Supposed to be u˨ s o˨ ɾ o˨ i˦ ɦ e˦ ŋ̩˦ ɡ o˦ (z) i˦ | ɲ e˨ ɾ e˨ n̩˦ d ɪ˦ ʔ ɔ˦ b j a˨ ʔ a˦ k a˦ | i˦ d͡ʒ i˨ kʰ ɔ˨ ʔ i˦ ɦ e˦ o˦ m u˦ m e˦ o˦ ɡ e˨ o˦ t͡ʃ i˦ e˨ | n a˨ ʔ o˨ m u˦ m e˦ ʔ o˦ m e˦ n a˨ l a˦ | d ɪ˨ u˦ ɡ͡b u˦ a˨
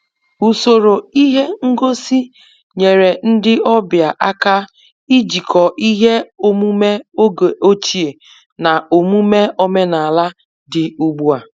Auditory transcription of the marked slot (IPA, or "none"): s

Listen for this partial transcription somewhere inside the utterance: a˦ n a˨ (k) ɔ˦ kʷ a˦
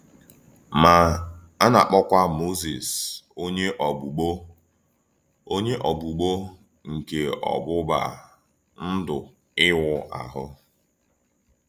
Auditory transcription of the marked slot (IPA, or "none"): k͡p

